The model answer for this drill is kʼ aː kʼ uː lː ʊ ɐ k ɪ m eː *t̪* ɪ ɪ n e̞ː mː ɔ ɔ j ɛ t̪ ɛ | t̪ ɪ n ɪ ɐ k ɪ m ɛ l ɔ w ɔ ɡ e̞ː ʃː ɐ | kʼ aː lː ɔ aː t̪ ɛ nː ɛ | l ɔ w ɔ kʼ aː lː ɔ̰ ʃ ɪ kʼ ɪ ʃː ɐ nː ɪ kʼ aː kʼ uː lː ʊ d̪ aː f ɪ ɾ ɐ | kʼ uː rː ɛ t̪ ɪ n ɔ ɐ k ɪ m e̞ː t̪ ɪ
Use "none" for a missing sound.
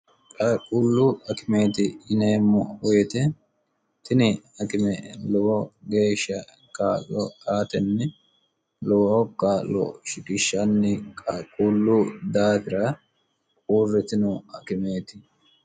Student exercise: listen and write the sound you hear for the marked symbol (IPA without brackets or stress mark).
t̪